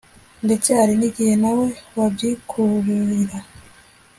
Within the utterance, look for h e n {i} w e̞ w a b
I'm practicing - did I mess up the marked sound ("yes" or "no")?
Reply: yes